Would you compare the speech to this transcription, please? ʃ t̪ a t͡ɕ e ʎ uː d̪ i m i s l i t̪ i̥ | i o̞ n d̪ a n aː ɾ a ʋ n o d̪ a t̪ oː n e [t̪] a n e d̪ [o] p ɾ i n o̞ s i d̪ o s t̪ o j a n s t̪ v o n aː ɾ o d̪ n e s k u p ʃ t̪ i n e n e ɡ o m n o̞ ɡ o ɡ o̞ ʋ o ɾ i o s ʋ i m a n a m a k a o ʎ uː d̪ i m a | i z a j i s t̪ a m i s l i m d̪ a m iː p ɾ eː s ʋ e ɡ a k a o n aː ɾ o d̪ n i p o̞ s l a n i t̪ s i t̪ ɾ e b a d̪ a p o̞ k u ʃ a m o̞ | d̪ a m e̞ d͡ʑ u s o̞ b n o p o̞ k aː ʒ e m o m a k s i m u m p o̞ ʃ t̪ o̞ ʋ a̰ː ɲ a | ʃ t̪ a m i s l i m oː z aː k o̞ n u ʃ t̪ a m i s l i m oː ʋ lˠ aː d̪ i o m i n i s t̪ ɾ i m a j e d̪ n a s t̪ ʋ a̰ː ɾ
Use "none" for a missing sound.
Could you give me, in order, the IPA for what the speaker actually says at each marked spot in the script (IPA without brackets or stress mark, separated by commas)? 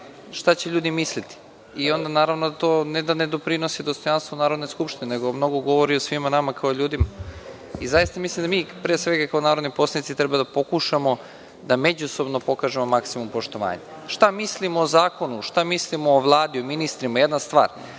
d̪, o